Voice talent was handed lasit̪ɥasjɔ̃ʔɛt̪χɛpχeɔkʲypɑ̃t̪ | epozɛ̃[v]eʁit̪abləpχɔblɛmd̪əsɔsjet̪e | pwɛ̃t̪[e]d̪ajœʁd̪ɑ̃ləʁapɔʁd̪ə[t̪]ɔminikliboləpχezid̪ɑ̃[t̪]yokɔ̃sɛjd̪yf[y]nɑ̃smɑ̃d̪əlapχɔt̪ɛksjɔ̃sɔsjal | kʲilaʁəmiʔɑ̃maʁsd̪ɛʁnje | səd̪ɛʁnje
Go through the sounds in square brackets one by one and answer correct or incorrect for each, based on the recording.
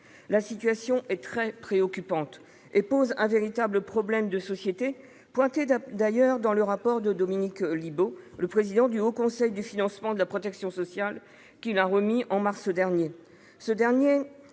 correct, correct, incorrect: d̪, incorrect: d̪, incorrect: i

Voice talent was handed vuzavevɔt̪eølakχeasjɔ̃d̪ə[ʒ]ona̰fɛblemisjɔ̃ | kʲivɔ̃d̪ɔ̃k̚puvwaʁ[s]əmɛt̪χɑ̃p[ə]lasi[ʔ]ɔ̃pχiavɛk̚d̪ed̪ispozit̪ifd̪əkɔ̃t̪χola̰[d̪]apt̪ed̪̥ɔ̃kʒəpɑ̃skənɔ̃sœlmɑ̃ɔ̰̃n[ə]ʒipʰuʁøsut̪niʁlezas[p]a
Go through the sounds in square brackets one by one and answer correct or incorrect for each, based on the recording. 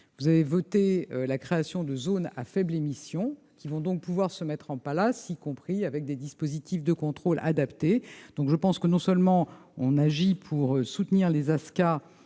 incorrect: z, correct, incorrect: a, incorrect: k, correct, incorrect: a, incorrect: k

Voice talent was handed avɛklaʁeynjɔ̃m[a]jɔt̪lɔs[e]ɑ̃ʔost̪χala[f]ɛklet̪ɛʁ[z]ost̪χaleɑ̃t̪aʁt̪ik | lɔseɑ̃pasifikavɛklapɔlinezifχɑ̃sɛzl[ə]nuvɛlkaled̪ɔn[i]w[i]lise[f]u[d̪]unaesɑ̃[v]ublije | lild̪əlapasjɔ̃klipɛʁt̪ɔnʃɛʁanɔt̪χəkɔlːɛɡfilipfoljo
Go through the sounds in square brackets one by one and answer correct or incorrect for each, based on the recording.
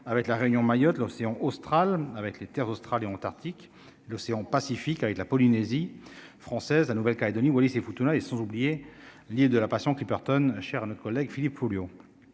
correct, correct, incorrect: v, correct, incorrect: a, correct, incorrect: a, correct, incorrect: t̪, incorrect: z

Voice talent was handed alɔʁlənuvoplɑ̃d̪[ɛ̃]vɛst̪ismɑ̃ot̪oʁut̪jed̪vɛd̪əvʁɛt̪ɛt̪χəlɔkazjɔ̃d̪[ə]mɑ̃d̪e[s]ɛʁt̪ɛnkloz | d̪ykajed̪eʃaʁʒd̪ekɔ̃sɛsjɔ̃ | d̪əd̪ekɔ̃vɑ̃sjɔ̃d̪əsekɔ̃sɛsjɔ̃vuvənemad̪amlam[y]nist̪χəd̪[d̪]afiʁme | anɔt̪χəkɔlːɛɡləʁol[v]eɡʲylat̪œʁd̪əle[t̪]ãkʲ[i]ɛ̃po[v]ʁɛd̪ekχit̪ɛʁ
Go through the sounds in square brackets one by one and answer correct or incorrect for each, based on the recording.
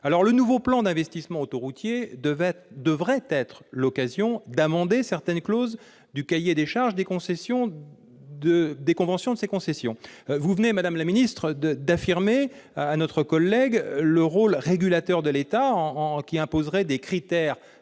correct, incorrect: a, correct, incorrect: i, correct, incorrect: ʁ, correct, correct, incorrect: z

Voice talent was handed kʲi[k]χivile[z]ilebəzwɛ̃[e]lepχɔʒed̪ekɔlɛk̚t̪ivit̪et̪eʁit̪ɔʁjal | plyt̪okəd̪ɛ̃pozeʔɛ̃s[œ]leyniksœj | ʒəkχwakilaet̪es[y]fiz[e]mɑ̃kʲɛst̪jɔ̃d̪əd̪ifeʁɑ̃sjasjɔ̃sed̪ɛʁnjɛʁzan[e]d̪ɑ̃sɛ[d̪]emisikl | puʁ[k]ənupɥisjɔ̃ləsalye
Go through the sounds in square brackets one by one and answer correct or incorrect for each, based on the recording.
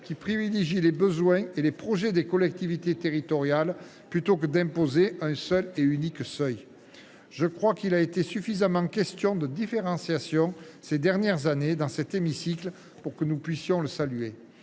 incorrect: p, incorrect: ʒ, correct, correct, correct, incorrect: a, correct, incorrect: t̪, correct

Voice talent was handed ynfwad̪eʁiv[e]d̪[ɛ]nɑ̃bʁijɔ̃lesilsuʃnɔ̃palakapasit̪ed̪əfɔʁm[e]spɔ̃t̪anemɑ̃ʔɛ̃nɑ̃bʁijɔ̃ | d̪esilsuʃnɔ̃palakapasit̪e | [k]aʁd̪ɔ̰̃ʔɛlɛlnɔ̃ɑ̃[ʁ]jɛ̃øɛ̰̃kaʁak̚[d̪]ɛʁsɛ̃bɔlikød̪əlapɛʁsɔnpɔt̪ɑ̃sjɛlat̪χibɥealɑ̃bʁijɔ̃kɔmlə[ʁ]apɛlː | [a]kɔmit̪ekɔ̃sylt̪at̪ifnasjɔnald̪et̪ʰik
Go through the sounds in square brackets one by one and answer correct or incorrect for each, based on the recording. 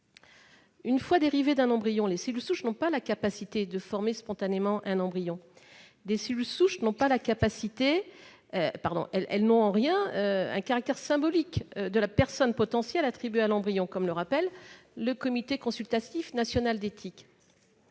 correct, incorrect: ɛ̃, correct, incorrect: p, correct, incorrect: t̪, correct, incorrect: ə

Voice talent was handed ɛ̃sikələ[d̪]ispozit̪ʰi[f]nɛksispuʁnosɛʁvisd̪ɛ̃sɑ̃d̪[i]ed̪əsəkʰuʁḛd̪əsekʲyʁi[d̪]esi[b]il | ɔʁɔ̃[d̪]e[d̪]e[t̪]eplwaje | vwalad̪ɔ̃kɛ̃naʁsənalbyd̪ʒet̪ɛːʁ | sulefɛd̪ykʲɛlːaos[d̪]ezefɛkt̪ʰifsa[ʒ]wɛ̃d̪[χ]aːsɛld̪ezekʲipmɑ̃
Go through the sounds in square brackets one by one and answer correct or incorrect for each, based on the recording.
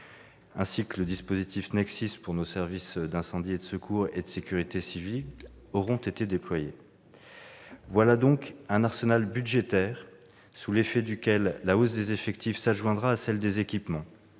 correct, correct, correct, incorrect: t̪, incorrect: v, incorrect: t̪, incorrect: t̪, incorrect: d̪, correct, correct, incorrect: ʁ

